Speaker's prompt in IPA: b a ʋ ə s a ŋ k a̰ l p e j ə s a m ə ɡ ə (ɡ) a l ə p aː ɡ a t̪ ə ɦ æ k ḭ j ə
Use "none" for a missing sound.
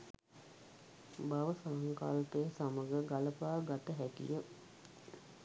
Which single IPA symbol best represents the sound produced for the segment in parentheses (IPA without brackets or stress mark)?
ɡ